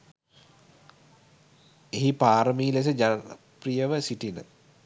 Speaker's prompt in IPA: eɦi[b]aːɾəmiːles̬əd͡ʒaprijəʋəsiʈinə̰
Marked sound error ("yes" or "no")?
yes